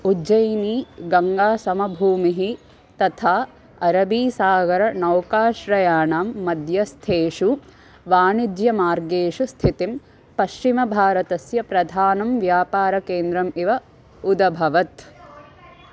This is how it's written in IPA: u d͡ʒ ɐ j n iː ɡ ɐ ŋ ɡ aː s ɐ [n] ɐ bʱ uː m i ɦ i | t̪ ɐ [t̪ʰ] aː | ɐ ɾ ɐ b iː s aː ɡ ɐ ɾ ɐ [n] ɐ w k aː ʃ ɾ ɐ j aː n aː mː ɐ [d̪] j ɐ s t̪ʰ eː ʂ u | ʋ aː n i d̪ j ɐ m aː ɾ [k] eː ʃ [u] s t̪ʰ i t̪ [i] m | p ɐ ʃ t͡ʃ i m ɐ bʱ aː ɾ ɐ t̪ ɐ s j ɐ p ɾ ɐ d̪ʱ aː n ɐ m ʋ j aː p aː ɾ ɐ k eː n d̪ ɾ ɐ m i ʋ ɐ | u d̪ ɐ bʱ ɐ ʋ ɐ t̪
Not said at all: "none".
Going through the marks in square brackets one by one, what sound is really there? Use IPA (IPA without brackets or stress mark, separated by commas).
m, t̪ʰ, n, d̪, ɡ, u, i